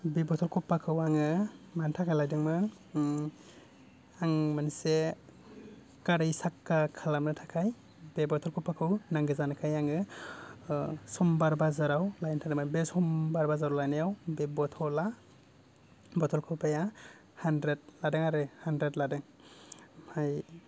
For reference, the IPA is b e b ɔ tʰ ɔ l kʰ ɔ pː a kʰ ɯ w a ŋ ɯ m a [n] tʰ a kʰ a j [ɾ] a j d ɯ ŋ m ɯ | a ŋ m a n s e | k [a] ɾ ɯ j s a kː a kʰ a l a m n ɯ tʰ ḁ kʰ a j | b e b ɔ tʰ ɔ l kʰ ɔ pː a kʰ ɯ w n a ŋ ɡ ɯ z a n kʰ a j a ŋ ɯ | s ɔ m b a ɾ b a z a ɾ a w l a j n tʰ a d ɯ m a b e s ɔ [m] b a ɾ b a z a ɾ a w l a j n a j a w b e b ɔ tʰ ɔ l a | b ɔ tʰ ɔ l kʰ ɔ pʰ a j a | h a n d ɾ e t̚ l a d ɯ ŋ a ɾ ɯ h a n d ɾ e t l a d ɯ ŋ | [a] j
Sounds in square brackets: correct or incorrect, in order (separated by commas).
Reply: correct, incorrect, correct, correct, correct